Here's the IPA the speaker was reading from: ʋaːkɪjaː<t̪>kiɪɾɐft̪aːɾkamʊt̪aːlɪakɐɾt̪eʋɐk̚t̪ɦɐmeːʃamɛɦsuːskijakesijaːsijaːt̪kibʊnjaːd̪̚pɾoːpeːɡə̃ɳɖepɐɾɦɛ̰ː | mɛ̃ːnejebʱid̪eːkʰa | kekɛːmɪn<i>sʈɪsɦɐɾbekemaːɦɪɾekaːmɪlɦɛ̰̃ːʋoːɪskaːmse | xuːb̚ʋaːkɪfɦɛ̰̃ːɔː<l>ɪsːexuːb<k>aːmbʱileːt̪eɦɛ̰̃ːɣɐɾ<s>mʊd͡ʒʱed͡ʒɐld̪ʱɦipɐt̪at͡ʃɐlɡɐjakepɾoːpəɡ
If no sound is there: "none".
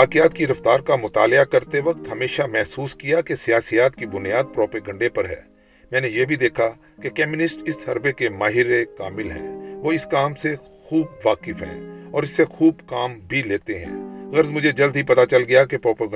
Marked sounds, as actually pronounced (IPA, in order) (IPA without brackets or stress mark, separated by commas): t̪, ɪ, ɾ, k, z